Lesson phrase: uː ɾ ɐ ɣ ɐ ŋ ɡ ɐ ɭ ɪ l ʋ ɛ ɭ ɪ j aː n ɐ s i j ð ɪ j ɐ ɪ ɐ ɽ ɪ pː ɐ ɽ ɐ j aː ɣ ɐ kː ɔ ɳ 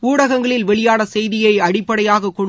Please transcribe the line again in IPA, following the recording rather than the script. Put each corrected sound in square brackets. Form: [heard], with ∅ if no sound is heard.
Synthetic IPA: uː [ɽ] ɐ ɣ ɐ ŋ ɡ ɐ ɭ ɪ l ʋ ɛ ɭ ɪ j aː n ɐ s [ɛ] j ð ɪ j ɐ ɪ ɐ ɽ ɪ pː ɐ ɽ ɐ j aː ɣ ɐ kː ɔ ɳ